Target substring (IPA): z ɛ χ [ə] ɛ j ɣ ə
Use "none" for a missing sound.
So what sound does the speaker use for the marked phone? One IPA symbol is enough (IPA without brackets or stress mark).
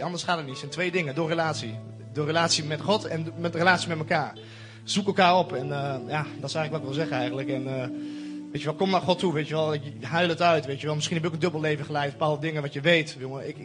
ə